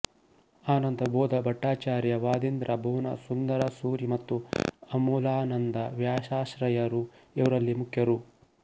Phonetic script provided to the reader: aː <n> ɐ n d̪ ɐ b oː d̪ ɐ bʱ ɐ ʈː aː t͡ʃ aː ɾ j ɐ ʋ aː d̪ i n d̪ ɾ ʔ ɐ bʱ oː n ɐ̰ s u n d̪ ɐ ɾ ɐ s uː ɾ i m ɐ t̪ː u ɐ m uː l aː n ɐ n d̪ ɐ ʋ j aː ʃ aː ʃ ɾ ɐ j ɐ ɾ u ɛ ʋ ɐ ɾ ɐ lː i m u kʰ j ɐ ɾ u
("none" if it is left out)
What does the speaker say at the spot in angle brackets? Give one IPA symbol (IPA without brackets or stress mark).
n